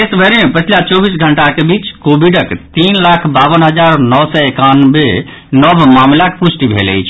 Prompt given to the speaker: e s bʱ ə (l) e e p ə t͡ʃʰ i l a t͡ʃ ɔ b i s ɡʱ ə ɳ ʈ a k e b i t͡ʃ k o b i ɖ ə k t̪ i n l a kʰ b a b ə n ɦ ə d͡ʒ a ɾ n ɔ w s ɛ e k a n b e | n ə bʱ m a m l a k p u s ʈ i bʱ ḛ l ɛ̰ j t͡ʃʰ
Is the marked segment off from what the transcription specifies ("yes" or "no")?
yes